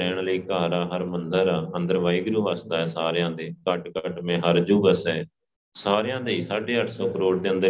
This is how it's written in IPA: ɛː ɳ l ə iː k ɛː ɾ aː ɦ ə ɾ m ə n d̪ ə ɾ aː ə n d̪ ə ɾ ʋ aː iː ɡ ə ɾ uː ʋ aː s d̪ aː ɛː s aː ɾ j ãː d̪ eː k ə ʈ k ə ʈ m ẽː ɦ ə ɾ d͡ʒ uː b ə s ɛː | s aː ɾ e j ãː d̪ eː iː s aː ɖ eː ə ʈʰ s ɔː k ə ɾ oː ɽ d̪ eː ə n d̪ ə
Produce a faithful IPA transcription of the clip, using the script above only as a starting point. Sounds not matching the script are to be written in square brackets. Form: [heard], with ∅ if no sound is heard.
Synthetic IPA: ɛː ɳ l ə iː k [aː] ɾ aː ɦ ə ɾ m ə n d̪ ə ɾ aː ə n d̪ ə ɾ ʋ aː iː ɡ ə ɾ uː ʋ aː s d̪ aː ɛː s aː ɾ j ãː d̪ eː k ə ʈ k ə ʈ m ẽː ɦ ə ɾ d͡ʒ uː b ə s ɛː | s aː ɾ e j ãː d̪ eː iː s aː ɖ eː ə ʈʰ s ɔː k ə ɾ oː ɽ d̪ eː ə n d̪ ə